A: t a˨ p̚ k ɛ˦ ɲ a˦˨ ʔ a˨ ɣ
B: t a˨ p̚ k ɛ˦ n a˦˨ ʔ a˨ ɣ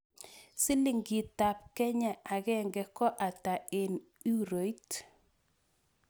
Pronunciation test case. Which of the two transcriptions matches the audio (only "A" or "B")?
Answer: A